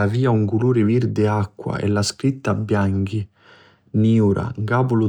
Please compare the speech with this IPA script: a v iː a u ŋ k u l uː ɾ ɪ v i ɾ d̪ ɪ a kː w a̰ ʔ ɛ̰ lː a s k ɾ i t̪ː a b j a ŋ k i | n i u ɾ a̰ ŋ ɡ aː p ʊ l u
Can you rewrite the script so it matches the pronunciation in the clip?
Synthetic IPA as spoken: a v iː a u ŋ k u l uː ɾ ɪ v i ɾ d̪ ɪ a kː w a̰ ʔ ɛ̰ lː a s k ɾ i t̪ː a b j a ŋ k i | n i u ɾ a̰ ŋ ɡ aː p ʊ l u